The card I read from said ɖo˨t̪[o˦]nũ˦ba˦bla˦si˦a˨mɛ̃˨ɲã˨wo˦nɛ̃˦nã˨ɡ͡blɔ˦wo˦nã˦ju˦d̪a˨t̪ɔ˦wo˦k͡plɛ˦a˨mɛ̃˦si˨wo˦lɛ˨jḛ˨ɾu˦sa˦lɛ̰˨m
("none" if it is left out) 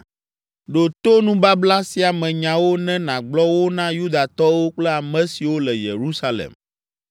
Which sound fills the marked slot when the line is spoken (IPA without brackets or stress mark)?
o˦